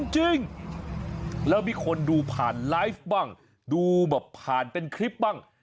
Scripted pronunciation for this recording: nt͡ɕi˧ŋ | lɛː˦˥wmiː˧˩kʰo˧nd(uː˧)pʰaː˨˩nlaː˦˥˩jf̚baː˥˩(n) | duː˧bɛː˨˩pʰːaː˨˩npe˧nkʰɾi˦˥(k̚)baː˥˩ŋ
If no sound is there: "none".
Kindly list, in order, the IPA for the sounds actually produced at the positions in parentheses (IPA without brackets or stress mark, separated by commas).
uː˧, ŋ, p̚